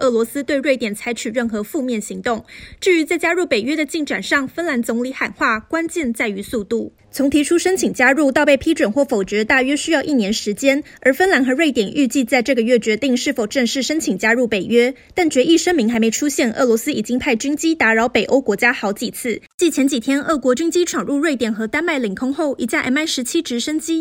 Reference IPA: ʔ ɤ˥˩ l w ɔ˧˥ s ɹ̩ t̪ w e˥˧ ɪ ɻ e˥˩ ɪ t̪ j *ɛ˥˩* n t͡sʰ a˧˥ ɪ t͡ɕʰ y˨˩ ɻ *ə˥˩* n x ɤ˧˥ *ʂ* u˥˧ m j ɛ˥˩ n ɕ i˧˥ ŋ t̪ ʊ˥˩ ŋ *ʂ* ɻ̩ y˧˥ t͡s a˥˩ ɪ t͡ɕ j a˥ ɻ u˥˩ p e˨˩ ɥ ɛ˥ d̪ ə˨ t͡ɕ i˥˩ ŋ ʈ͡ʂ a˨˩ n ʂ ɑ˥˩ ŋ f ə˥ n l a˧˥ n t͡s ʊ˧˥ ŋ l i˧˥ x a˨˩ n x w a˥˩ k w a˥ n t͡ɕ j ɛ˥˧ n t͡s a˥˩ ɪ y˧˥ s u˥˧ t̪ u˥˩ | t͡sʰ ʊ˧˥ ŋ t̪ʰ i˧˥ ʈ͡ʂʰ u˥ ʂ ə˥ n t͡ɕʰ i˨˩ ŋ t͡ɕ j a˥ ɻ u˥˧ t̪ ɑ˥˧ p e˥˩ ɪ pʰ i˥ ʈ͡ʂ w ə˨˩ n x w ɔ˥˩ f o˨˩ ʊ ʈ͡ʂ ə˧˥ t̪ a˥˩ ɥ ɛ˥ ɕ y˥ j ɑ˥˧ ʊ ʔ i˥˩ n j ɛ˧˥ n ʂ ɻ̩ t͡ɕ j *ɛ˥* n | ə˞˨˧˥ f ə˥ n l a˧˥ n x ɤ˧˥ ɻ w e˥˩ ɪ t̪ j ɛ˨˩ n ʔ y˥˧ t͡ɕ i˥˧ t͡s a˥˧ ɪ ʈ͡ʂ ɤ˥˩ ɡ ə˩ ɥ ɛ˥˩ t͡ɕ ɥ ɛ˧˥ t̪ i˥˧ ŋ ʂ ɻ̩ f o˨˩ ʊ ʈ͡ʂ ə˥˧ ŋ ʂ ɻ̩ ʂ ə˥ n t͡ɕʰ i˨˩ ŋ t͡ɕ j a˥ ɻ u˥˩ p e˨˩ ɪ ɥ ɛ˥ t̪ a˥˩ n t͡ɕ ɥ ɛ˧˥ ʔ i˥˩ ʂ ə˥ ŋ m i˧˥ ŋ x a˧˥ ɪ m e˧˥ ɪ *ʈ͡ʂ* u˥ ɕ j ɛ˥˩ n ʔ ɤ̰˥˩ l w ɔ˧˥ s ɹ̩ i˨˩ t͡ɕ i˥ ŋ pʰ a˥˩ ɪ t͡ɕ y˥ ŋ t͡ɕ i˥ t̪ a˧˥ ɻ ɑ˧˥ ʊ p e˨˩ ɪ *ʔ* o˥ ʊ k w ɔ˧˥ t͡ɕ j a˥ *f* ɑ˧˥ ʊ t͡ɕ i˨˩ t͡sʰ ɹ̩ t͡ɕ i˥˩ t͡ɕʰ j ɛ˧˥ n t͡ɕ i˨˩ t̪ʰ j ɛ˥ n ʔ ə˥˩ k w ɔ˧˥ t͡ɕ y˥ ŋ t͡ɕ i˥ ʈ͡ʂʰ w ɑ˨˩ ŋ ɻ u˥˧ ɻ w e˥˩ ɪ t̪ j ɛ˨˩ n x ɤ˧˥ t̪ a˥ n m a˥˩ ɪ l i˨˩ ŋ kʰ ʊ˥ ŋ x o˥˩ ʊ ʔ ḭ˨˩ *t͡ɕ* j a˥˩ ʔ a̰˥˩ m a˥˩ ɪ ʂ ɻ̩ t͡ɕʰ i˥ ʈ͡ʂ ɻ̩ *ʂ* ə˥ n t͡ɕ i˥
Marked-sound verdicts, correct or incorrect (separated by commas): incorrect, correct, incorrect, incorrect, correct, incorrect, correct, incorrect, correct, correct